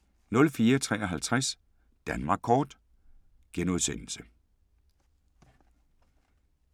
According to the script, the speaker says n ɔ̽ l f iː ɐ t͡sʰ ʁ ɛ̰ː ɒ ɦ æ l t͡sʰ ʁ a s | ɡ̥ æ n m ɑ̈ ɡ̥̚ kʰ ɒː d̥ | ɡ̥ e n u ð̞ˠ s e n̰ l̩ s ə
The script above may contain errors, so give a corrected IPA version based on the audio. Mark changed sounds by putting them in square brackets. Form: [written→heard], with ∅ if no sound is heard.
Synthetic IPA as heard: n ɔ̽ l f iː ɐ t͡sʰ ʁ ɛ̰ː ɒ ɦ æ l t͡sʰ ʁ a s | [ɡ̥→d̥] æ n m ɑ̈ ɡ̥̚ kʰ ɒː d̥ | ɡ̥ e n u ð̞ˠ s e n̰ l̩ s ə